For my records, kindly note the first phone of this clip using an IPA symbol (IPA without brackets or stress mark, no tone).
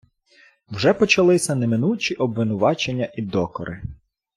w